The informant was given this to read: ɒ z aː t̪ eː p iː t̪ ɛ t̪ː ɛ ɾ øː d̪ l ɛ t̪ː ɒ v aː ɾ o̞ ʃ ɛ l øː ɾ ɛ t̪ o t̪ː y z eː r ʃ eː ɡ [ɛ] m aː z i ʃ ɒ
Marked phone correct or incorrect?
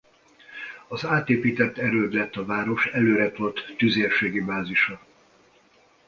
incorrect